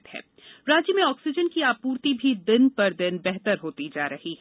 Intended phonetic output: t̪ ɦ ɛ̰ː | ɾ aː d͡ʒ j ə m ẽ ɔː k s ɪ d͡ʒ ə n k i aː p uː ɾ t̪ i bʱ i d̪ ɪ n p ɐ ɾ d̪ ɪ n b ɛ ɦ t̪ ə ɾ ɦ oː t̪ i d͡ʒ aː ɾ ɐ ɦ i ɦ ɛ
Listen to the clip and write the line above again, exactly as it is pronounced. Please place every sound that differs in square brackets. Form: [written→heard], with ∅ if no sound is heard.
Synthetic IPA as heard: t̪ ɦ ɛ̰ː | ɾ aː d͡ʒ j ə m ẽ ɔː k s ɪ d͡ʒ ə n k i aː p uː ɾ t̪ i bʱ i d̪ ɪ n p ɐ ɾ d̪ ɪ n b ɛ ɦ t̪ ə ɾ ɦ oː t̪ i d͡ʒ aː ɾ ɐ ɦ i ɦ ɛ